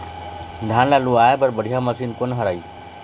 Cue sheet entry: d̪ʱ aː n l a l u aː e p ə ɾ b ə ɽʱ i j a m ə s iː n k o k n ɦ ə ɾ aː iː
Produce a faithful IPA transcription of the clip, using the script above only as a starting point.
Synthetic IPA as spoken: d̪ʱ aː n l a l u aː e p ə ɾ b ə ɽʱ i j a m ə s iː n k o n ɦ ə ɾ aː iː